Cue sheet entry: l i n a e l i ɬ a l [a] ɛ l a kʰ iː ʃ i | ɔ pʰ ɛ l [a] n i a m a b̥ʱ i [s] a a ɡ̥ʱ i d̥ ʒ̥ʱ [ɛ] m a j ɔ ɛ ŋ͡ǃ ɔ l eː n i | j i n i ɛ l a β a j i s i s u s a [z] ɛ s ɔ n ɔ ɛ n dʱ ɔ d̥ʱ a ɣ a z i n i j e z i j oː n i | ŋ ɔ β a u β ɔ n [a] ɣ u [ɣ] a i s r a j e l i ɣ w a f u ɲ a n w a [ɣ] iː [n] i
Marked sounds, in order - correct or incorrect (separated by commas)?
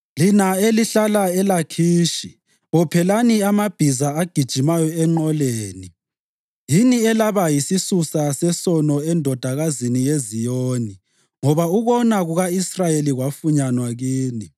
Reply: correct, correct, incorrect, incorrect, incorrect, correct, correct, correct, correct